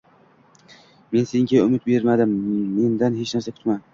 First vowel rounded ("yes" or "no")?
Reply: no